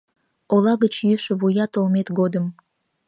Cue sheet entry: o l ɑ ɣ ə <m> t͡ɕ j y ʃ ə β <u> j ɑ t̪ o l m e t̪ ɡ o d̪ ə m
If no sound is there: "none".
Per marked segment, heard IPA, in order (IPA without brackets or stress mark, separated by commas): none, u